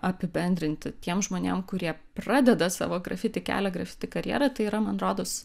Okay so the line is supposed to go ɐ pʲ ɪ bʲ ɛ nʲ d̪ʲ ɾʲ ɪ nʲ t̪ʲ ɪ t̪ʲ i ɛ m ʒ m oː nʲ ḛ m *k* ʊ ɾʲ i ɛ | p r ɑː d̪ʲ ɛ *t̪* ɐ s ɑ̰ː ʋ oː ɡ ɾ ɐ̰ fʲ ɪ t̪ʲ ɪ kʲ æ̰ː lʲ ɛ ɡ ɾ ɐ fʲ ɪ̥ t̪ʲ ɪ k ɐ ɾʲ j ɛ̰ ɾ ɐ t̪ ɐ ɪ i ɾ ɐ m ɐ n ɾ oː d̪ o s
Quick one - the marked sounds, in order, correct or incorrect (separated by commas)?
correct, incorrect